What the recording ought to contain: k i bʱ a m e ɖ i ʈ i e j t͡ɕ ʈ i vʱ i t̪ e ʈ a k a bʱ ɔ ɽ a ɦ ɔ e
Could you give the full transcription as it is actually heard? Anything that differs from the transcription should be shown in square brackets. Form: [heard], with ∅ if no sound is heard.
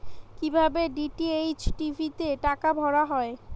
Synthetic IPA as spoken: k i bʱ a [b] e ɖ i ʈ i e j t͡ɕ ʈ i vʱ i t̪ e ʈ a k a bʱ ɔ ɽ a ɦ ɔ e